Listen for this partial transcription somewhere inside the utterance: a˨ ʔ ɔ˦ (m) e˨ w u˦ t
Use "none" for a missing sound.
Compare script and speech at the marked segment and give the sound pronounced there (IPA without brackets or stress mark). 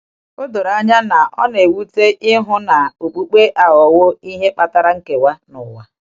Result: n